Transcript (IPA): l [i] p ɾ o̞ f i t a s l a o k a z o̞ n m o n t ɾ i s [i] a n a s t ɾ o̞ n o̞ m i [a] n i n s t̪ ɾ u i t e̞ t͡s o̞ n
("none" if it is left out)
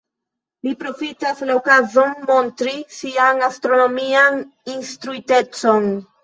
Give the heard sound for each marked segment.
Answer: i, i, a

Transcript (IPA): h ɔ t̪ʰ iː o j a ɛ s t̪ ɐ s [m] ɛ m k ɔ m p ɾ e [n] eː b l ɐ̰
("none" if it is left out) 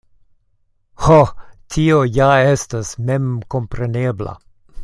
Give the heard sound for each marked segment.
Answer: m, n

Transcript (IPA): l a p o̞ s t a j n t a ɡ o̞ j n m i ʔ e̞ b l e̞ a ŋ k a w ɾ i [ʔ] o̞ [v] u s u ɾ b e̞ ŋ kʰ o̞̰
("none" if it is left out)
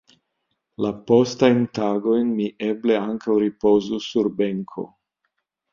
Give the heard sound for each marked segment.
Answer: p, z

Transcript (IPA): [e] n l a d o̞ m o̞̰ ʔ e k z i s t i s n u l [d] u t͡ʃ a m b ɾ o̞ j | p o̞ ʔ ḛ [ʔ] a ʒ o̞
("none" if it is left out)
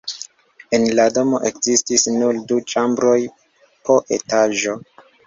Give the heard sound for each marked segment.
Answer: e, d, t

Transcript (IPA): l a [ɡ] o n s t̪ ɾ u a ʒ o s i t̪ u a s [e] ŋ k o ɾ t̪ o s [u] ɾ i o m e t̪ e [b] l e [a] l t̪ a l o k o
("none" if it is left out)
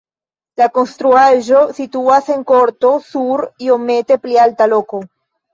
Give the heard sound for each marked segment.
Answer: k, e, u, p, a

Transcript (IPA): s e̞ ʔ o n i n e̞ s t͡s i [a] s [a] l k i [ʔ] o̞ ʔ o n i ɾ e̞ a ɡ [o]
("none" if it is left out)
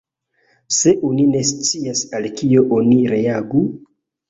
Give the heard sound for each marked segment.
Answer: a, a, none, u

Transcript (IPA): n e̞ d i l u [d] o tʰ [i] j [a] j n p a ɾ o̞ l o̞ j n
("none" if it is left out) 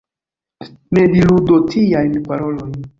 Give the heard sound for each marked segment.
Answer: d, i, a

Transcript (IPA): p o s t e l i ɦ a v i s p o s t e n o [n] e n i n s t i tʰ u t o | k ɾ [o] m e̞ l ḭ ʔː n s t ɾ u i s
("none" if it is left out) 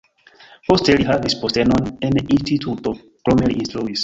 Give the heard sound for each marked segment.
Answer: n, o

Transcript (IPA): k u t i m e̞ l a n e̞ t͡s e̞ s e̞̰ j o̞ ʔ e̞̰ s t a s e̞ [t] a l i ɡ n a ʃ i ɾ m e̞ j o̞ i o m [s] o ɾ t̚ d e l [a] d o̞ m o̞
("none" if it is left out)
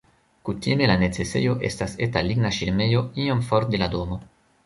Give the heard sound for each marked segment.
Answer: t, f, a

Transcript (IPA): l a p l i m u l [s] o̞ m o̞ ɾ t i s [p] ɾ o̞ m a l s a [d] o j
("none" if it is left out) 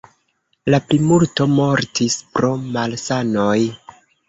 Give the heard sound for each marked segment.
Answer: t, p, n

